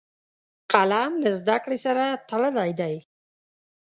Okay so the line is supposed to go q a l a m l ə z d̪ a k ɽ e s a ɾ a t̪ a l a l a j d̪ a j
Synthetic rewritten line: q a l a m l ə z d̪ a k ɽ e s a ɾ a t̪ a l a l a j d̪ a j